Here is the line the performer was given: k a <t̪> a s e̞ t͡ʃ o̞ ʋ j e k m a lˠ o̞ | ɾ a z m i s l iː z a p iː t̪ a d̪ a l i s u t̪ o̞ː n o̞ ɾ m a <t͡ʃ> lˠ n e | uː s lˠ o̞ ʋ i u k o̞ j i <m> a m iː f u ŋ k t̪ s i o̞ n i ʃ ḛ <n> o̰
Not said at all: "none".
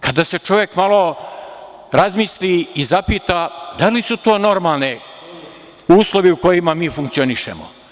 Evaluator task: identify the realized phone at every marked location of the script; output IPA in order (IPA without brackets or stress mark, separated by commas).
d̪, none, m, m